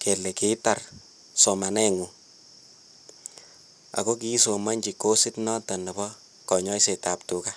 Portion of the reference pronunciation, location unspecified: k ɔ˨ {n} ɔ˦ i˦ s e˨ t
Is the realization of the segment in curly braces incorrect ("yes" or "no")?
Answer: yes